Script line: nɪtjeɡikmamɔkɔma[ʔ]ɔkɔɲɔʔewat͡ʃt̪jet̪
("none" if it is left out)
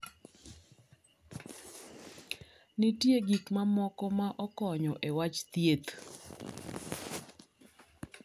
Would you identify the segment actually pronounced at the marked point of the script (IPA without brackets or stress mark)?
ʔ